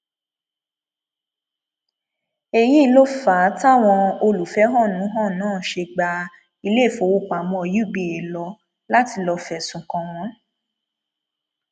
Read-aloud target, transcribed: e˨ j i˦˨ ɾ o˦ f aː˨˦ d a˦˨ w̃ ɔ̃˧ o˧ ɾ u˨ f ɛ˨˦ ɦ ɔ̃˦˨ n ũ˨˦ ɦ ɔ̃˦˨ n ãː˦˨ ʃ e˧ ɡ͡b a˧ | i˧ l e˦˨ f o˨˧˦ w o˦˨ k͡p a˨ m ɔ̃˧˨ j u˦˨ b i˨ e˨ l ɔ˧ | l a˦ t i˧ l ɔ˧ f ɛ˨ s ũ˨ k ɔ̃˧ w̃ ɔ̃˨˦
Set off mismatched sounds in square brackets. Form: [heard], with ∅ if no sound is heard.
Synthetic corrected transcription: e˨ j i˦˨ [l] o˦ f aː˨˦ [t] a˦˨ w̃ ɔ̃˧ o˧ [l] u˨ f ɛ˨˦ ɦ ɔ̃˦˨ n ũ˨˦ ɦ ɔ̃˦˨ n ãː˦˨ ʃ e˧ ɡ͡b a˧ | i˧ l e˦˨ f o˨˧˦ w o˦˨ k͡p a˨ m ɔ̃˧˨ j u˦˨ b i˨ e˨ l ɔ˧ | l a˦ t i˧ l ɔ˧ f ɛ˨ s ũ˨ k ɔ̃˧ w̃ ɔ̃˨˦

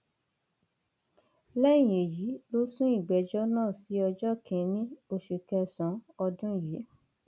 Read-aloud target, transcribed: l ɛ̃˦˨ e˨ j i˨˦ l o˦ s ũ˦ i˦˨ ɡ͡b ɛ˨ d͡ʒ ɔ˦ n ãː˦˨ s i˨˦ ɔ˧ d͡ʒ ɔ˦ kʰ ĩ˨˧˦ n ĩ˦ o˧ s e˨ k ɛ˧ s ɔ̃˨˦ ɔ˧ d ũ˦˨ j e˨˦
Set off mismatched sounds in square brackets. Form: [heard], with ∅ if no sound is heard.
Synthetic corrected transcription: l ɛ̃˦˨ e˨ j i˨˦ l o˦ s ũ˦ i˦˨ ɡ͡b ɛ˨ d͡ʒ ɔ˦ n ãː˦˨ s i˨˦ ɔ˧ d͡ʒ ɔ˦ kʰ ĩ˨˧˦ n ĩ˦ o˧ [ʃ] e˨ k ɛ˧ s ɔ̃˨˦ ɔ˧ d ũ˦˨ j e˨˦

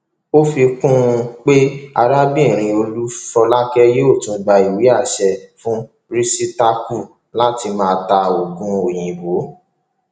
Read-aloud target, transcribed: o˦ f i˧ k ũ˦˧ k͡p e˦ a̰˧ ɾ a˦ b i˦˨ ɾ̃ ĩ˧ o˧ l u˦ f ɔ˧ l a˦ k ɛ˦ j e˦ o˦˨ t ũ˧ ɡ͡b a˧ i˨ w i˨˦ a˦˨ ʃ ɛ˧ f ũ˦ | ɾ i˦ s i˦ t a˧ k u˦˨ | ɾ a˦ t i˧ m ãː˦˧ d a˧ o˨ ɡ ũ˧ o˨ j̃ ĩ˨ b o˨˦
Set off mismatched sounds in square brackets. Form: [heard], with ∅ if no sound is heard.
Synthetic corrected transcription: o˦ f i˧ k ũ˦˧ k͡p e˦ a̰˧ ɾ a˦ b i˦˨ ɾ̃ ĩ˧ o˧ l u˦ f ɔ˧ l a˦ k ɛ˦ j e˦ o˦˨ t ũ˧ ɡ͡b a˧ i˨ w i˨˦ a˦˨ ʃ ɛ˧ f ũ˦ | ɾ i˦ s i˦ t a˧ k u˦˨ | [l] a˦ t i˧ m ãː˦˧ [t] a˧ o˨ ɡ ũ˧ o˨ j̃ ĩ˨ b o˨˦

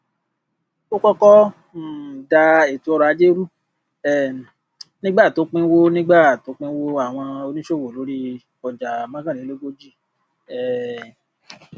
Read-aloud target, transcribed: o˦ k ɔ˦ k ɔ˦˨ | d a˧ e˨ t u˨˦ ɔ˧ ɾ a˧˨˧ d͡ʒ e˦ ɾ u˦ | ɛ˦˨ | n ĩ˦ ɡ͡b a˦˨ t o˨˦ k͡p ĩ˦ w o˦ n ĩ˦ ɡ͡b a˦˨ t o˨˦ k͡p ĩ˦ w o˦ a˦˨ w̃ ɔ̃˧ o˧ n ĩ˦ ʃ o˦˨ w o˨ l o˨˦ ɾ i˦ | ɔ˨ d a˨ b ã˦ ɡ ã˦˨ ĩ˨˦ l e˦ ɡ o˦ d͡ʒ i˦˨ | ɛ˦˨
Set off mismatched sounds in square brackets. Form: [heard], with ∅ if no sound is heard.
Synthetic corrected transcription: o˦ k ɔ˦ k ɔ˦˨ | d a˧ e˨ t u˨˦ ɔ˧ ɾ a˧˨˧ d͡ʒ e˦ ɾ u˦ | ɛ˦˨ | n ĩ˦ ɡ͡b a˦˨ t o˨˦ k͡p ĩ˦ w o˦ n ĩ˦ ɡ͡b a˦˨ t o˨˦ k͡p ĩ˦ w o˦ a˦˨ w̃ ɔ̃˧ o˧ n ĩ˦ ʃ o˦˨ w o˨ l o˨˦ ɾ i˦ | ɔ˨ [d͡ʒ] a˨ [m] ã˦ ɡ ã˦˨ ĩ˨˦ l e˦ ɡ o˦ d͡ʒ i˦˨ | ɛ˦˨

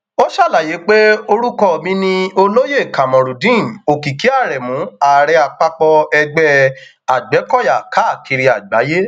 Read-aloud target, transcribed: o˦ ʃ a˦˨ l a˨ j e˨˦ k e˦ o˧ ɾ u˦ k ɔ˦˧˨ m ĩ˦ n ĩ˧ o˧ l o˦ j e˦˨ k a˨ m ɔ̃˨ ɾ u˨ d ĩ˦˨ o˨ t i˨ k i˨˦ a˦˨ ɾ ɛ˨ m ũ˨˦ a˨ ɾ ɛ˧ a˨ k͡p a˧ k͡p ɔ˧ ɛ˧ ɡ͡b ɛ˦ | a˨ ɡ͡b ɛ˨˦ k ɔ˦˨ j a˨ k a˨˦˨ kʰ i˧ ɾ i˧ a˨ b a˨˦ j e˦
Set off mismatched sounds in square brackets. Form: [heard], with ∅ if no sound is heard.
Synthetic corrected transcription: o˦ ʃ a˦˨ l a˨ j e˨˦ [k͡p] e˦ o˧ ɾ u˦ k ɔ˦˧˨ m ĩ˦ n ĩ˧ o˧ l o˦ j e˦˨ k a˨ m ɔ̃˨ ɾ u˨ d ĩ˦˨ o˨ [k] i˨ k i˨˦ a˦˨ ɾ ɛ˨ m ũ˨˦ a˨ ɾ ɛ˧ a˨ k͡p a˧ k͡p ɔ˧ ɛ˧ ɡ͡b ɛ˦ | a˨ ɡ͡b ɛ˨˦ k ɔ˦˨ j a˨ k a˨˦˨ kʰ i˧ ɾ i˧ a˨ [ɡ͡b] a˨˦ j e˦

